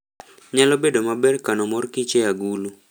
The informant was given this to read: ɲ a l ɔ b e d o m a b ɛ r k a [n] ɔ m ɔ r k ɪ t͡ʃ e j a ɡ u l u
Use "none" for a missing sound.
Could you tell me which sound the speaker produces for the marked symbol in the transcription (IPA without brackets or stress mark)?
n